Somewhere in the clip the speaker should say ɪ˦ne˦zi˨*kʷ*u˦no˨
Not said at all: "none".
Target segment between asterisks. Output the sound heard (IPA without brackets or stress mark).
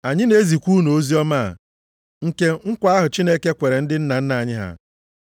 kʷ